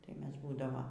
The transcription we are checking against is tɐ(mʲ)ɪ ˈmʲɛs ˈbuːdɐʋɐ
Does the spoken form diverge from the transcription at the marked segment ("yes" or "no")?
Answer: yes